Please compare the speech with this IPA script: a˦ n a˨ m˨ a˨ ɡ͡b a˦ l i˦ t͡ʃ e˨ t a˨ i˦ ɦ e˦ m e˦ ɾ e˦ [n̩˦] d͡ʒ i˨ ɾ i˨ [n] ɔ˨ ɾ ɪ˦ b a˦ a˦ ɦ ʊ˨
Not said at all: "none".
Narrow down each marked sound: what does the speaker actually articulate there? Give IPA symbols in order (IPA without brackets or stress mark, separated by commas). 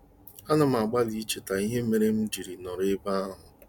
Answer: m̩˦, n